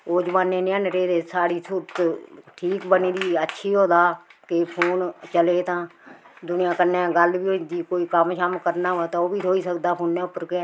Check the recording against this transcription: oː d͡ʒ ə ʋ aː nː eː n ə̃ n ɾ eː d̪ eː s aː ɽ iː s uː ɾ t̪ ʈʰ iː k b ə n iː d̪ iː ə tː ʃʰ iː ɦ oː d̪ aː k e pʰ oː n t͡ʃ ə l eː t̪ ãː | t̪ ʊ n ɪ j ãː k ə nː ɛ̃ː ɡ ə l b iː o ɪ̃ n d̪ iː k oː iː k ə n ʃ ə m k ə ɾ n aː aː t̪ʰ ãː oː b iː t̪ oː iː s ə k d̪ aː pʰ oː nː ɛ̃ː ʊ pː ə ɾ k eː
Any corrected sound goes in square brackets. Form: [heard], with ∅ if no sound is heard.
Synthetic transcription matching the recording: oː d͡ʒ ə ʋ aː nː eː n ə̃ n ɾ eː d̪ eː s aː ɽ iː s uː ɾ t̪ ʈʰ iː k b ə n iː d̪ iː ə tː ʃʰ iː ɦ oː d̪ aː k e pʰ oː n t͡ʃ ə l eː t̪ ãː | [d̪] ʊ n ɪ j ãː k ə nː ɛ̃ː ɡ ə l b iː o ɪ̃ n d̪ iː k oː iː k ə [m] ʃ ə m k ə ɾ n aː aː [t̪] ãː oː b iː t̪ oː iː s ə k d̪ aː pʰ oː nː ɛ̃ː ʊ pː ə ɾ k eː

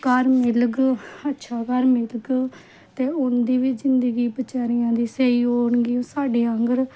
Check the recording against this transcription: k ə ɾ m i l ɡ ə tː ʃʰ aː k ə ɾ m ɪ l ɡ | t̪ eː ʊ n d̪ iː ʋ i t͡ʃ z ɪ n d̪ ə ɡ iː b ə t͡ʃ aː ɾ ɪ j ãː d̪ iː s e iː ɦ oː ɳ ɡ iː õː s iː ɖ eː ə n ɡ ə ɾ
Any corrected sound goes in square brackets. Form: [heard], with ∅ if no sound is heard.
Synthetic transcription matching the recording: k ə ɾ m [ɪ] l ɡ ə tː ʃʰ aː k ə ɾ m ɪ l ɡ | t̪ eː ʊ n d̪ iː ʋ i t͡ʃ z ɪ n d̪ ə ɡ iː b ə t͡ʃ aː ɾ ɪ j ãː d̪ iː s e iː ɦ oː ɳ ɡ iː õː s [aː] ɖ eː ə [ŋ] ɡ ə ɾ

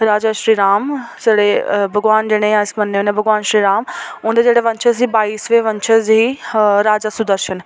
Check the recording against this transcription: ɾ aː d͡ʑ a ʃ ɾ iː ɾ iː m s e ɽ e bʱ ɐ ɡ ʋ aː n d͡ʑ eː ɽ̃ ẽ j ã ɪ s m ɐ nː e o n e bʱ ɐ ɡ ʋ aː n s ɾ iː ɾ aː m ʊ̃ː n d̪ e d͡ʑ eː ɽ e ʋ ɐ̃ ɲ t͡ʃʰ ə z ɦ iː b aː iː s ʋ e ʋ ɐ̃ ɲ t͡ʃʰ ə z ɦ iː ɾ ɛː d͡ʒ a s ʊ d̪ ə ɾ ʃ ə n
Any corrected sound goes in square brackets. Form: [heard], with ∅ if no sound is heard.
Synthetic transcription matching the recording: ɾ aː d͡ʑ a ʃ ɾ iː ɾ [aː] m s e ɽ e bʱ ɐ ɡ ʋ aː n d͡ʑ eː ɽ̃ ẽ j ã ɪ s m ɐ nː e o n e bʱ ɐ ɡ ʋ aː n [ʃ] ɾ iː ɾ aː m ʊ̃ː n d̪ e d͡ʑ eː ɽ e ʋ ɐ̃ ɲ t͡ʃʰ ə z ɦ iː b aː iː s ʋ e ʋ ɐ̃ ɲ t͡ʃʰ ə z ɦ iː ɾ [aː] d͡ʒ a s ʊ d̪ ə ɾ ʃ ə n

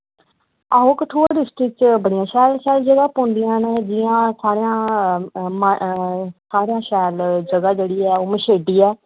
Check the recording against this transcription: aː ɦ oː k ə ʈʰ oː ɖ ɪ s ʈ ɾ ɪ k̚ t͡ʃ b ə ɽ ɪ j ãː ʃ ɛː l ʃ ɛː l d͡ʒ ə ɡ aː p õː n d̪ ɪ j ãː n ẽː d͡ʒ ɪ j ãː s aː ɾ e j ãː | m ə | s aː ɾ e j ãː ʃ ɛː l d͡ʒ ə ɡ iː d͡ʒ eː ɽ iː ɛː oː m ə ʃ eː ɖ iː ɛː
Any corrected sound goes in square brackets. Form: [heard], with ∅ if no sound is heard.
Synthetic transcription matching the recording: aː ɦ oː k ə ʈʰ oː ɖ ɪ s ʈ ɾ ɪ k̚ t͡ʃ b ə ɽ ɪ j ãː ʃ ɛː l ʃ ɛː l d͡ʒ ə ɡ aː p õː n d̪ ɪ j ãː n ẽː d͡ʒ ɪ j ãː s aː ɾ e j ãː | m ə | s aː ɾ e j ãː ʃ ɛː l d͡ʒ ə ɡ [aː] d͡ʒ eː ɽ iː ɛː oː m ə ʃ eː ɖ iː ɛː

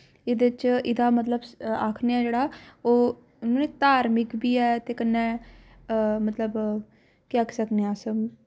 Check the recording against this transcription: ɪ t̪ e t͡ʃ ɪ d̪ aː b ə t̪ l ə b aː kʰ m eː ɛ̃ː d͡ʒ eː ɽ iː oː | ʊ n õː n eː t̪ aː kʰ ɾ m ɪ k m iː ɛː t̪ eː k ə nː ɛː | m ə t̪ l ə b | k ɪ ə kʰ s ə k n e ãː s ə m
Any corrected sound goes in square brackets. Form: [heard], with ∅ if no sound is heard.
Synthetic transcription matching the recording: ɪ [d̪] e t͡ʃ ɪ d̪ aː [m] ə t̪ l ə b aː kʰ [n] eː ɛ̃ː d͡ʒ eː ɽ [aː] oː | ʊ n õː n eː t̪ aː [∅] ɾ m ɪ k [b] iː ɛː t̪ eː k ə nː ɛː | m ə t̪ l ə b | k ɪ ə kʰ s ə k n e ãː s ə m

